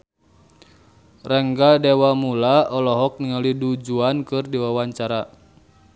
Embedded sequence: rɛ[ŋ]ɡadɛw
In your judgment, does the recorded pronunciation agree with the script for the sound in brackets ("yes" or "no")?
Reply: yes